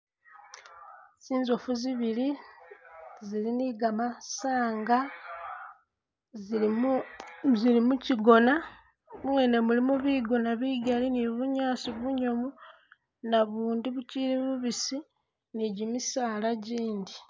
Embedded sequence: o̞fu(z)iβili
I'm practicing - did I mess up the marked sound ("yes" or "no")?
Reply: no